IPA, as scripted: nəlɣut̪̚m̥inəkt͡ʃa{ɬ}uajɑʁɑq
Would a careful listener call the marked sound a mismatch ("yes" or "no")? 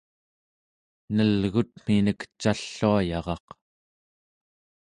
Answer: yes